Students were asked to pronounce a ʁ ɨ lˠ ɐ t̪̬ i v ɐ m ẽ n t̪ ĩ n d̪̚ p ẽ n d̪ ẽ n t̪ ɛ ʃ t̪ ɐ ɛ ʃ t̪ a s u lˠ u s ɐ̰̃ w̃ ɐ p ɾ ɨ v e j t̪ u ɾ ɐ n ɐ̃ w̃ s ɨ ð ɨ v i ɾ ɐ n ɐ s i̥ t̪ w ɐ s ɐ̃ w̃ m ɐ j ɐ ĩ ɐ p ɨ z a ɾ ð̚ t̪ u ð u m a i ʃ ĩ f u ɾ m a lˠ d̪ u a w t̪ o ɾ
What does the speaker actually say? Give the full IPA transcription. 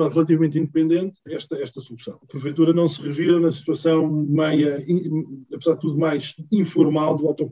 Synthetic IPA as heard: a ʁ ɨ lˠ ɐ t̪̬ i v ɐ m ẽ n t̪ ĩ n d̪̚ p ẽ n d̪ ẽ n t̪ ɛ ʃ t̪ ɐ ɛ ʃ t̪ ɐ s u lˠ u s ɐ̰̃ w̃ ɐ p ɾ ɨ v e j t̪ u ɾ ɐ n ɐ̃ w̃ s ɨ ʁ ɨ v i ɾ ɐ n ɐ s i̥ t̪ w ɐ s ɐ̃ w̃ m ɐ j ɐ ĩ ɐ p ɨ z a ɾ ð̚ t̪ u ð u m a j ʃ ĩ f u ɾ m a lˠ d̪ u a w t̪ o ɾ